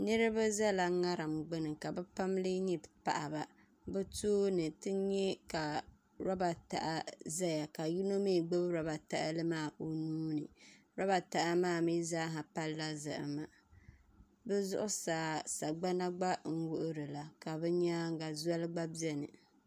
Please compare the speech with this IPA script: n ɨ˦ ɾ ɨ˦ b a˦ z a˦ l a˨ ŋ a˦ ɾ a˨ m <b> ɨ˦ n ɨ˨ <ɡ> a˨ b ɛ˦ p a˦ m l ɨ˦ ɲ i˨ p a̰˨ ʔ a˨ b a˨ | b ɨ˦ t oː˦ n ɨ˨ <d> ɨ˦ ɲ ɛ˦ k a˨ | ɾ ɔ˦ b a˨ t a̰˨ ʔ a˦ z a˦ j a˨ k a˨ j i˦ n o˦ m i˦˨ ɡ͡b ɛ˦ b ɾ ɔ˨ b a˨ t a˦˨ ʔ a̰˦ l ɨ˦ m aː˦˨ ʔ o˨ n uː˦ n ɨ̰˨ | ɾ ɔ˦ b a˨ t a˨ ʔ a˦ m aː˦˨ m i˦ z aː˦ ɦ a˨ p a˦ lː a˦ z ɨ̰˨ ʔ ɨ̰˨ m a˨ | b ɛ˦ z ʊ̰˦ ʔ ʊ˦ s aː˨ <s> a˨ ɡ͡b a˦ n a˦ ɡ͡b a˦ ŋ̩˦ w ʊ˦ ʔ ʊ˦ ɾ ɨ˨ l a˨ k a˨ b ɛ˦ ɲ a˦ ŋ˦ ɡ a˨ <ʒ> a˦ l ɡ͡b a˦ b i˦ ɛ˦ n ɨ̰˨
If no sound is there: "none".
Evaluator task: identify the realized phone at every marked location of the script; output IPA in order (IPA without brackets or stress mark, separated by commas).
ɡ͡b, k, t, s, z